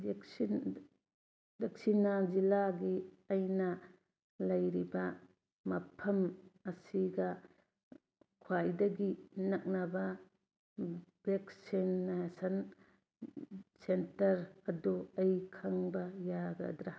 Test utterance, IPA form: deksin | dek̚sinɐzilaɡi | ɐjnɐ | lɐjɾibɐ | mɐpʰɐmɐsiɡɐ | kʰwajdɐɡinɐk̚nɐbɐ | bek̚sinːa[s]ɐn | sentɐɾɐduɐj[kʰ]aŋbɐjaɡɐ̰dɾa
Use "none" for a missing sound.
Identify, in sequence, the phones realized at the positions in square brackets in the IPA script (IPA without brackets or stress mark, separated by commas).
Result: s, kʰ